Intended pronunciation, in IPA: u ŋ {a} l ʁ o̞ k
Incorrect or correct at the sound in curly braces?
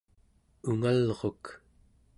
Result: correct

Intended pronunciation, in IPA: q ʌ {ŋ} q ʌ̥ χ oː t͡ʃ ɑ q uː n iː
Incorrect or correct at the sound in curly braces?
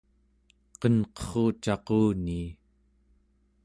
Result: incorrect: n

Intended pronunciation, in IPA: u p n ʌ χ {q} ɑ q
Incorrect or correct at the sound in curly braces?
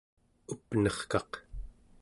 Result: incorrect: k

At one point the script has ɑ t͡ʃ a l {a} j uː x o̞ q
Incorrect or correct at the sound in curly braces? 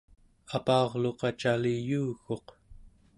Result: incorrect: i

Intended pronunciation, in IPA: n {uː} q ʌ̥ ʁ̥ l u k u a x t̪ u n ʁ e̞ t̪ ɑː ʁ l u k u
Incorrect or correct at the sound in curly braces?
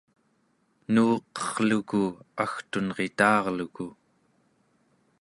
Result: correct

